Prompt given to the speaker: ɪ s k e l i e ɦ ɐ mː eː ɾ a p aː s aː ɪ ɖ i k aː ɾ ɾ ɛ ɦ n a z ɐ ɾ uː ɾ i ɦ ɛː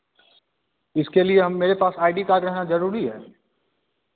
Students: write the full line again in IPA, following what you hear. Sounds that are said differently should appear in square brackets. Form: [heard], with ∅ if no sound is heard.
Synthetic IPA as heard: ɪ s k e l i e ɦ ɐ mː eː ɾ [e] p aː s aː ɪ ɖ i k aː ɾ ɾ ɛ ɦ n a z ɐ ɾ uː ɾ i ɦ ɛː